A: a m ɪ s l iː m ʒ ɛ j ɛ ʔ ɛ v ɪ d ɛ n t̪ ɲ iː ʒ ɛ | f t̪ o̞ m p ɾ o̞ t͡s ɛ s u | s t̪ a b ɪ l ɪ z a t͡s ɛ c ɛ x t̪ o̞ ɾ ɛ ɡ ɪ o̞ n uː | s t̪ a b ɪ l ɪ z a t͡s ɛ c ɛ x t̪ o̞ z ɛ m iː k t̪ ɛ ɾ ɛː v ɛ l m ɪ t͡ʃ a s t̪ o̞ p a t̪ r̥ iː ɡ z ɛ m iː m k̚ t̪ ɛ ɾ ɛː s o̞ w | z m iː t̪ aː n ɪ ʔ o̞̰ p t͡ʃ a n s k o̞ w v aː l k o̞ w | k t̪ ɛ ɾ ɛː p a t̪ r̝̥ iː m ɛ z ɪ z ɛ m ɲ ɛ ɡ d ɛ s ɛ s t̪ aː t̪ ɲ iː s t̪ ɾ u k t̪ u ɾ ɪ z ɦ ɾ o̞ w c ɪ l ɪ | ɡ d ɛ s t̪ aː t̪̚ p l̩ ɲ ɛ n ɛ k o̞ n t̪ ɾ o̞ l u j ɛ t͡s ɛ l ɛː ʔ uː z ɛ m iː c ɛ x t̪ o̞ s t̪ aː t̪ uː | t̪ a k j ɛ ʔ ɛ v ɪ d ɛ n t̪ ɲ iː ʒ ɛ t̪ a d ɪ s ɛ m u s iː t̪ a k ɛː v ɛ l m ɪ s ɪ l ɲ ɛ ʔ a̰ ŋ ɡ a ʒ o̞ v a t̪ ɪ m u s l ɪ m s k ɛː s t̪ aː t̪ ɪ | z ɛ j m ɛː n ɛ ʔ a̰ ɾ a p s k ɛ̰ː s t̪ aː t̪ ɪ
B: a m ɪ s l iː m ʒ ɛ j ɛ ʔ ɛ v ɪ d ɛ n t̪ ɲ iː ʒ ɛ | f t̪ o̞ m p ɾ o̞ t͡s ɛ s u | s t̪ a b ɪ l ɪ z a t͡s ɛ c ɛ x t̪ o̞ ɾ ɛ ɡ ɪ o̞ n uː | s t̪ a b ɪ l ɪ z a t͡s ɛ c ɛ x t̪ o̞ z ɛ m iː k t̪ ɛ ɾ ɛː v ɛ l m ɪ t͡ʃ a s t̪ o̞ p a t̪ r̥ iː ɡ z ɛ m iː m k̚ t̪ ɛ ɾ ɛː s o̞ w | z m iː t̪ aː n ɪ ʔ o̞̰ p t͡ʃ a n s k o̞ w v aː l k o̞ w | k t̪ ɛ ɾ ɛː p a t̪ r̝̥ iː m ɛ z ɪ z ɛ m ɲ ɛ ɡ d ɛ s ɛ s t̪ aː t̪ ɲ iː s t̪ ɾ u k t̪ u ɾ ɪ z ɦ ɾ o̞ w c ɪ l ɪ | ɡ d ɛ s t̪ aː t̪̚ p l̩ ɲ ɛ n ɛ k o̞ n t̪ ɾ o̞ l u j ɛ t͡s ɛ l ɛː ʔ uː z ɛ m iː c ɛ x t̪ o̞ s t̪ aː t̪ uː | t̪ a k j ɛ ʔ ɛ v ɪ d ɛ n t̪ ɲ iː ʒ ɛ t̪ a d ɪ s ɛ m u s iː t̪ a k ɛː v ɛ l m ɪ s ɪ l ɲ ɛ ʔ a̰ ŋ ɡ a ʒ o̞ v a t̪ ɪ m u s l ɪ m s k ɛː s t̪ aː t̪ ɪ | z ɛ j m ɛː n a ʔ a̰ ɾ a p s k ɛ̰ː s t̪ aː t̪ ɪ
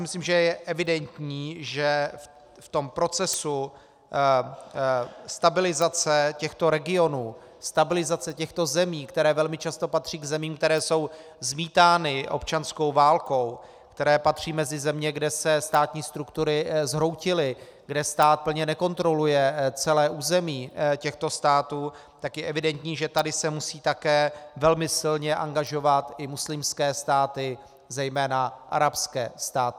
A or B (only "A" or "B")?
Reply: B